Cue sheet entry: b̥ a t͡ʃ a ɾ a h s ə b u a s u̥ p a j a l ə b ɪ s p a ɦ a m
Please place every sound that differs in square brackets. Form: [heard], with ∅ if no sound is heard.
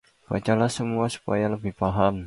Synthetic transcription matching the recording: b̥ a t͡ʃ a [l] a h s ə [m] u a s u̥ p a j a l ə b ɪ [h] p a ɦ a m